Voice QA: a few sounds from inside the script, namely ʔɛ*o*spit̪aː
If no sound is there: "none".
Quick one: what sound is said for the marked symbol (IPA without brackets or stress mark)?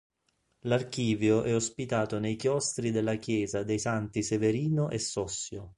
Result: o